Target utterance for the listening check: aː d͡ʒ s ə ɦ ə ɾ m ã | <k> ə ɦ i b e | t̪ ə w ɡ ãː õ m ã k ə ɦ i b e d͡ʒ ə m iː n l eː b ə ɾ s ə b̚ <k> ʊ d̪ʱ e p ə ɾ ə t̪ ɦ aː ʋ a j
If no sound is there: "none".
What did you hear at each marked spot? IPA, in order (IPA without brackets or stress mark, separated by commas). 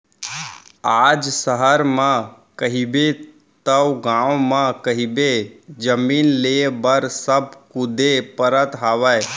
k, k